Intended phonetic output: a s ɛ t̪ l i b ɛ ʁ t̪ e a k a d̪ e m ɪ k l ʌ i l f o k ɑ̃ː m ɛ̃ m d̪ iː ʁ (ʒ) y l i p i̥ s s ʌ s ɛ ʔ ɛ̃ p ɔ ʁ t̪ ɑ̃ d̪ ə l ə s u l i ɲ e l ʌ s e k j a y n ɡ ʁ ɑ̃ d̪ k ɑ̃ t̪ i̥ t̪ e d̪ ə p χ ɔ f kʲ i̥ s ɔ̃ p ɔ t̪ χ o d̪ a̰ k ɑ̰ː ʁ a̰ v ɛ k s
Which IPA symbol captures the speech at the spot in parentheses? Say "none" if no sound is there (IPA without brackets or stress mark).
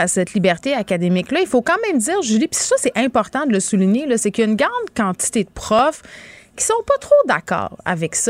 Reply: ʒ